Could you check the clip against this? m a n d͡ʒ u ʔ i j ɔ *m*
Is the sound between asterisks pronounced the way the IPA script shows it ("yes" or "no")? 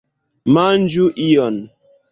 no